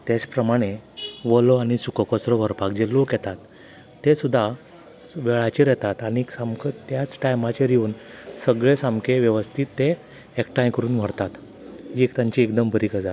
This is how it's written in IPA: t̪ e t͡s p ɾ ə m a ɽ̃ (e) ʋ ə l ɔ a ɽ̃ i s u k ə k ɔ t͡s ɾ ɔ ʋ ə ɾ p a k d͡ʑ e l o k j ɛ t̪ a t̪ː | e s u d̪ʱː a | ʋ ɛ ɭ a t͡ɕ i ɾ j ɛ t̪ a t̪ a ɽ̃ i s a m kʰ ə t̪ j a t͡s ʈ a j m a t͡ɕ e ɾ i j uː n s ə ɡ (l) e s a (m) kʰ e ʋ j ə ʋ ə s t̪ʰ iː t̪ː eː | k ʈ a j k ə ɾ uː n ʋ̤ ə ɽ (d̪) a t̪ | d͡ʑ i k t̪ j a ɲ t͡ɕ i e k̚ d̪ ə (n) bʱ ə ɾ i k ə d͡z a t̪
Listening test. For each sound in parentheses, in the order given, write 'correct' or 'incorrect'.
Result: correct, incorrect: ɭ, correct, incorrect: t̪, incorrect: m

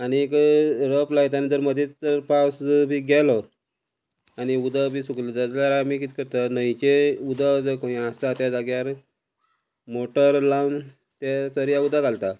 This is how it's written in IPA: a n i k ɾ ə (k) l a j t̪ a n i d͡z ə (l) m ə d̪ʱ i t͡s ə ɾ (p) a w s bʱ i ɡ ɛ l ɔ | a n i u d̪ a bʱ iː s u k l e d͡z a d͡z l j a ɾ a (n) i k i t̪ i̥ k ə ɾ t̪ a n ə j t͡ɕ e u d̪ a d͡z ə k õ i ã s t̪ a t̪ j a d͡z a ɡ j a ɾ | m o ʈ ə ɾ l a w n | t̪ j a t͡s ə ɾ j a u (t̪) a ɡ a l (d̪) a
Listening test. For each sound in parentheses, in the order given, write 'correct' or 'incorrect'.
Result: incorrect: p, incorrect: ɾ, correct, incorrect: m, incorrect: d̪, incorrect: t̪

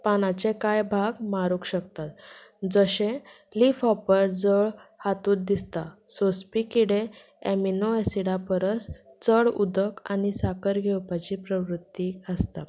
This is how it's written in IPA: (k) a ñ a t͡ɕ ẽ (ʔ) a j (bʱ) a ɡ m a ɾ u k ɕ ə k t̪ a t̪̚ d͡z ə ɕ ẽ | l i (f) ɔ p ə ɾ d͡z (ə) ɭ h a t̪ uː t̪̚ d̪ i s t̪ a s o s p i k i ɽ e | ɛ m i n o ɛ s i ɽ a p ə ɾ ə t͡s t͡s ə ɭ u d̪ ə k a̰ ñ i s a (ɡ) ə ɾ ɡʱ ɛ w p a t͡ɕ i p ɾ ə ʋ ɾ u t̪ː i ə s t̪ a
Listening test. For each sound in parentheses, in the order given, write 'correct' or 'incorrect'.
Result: incorrect: p, incorrect: k, correct, correct, correct, incorrect: k

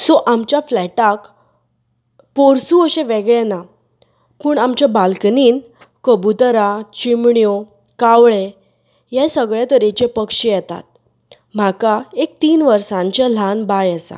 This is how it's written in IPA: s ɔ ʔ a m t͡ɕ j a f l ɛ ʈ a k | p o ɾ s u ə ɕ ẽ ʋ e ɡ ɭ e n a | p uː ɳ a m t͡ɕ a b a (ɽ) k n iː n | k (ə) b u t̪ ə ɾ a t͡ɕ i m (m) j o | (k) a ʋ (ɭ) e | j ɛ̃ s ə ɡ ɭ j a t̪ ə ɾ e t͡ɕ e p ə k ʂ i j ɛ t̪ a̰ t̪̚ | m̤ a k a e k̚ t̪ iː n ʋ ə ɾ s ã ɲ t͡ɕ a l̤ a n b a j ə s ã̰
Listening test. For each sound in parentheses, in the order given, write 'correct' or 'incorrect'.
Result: incorrect: l, correct, incorrect: ɳ, correct, correct

